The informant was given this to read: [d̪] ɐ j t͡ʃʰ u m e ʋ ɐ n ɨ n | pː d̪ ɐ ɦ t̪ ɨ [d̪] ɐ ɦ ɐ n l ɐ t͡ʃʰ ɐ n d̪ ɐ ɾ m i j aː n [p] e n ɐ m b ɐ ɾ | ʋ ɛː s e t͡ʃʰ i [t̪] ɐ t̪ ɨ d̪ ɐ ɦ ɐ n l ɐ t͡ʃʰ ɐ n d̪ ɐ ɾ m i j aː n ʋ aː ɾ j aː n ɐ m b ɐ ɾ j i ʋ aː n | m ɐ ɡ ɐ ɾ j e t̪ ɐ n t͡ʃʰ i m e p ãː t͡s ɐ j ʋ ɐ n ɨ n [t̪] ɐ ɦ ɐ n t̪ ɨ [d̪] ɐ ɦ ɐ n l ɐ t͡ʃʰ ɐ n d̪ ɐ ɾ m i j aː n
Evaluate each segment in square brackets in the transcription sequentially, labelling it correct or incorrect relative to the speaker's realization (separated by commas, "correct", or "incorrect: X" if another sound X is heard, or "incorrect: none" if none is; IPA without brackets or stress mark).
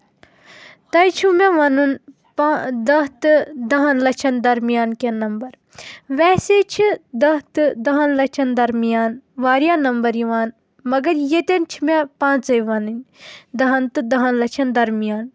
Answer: incorrect: t̪, correct, incorrect: k, incorrect: d̪, incorrect: d̪, correct